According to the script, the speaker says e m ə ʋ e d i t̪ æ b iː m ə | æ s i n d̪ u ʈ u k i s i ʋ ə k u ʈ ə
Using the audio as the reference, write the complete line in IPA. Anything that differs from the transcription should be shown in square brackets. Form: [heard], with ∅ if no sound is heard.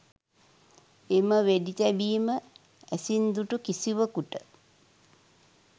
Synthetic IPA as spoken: e m ə ʋ e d i t̪ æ b iː m ə | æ s i n d̪ u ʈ u k i s i ʋ ə k u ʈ ə